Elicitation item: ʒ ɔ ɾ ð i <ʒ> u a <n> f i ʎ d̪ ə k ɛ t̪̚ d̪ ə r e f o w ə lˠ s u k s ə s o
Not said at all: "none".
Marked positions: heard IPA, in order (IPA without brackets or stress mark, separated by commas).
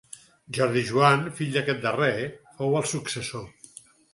ʒ, n